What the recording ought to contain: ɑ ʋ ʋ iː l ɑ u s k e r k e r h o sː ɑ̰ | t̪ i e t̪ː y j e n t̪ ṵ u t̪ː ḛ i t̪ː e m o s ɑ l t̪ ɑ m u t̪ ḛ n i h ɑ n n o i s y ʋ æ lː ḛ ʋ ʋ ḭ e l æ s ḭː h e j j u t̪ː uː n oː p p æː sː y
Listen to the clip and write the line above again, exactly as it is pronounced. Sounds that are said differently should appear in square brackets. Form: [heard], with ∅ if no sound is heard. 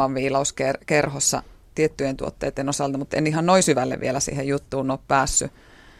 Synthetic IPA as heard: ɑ ʋ ʋ iː l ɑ u s k e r k e r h o sː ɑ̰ | t̪ i e t̪ː y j e n t̪ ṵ [o] t̪ː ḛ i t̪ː e [n] o s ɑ l t̪ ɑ m u t̪ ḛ n i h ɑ n n o i s y ʋ æ lː ḛ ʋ ʋ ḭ e l æ s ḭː h e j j u t̪ː uː n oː p p æː sː y